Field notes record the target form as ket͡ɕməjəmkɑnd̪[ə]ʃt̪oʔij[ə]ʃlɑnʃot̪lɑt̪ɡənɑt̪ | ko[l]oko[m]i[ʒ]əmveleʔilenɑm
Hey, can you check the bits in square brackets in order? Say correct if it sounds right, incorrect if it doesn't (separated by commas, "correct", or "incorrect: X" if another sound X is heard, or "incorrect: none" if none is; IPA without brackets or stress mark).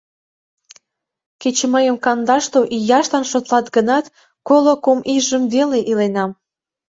incorrect: ɑ, incorrect: ɑ, correct, correct, correct